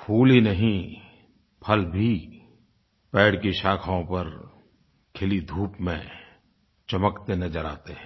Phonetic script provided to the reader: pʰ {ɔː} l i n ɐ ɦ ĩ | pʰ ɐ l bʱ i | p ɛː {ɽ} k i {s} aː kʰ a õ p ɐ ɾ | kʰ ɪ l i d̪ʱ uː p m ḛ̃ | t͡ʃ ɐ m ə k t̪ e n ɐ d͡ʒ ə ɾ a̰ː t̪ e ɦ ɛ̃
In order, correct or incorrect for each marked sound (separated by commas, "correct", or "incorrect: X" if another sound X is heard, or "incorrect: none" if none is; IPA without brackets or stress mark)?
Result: incorrect: uː, correct, incorrect: ʃ